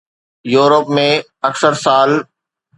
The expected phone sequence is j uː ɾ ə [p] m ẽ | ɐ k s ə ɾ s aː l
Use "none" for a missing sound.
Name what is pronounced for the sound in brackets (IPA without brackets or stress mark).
p